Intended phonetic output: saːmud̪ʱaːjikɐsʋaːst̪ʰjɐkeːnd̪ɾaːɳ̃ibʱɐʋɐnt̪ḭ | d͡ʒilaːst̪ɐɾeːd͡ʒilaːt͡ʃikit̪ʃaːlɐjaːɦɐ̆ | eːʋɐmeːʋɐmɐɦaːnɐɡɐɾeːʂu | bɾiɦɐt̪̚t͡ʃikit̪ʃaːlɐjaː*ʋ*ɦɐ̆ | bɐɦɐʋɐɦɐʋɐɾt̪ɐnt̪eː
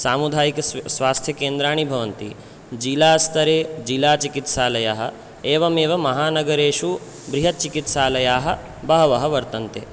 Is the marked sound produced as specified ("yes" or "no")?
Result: no